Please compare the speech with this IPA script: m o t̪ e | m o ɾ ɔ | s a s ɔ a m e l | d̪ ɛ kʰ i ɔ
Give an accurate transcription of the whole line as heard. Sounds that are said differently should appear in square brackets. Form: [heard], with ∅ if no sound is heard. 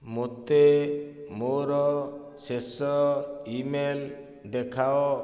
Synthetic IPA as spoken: m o t̪ e | m o ɾ ɔ | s [e] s ɔ [i] m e l | d̪ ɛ kʰ [a] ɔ